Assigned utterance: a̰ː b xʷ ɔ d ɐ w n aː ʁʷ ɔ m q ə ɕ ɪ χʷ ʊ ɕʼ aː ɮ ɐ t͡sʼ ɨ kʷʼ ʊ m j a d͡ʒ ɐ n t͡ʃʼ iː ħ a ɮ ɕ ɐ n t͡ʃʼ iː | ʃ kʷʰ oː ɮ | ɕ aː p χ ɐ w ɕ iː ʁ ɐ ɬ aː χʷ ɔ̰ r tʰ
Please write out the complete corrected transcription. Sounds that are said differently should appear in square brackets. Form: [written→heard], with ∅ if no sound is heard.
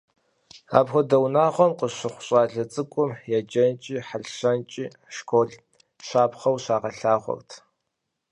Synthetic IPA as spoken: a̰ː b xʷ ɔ d ɐ w n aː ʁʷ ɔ m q ə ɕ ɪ χʷ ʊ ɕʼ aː ɮ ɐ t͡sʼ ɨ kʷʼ ʊ m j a d͡ʒ ɐ n t͡ʃʼ iː ħ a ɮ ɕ ɐ n t͡ʃʼ iː | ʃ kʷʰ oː ɮ | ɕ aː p χ ɐ w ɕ [iː→aː] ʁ ɐ ɬ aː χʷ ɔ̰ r tʰ